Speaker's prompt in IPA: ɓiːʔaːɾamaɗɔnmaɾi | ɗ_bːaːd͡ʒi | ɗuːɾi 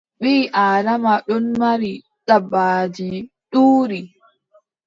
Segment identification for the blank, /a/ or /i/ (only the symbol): a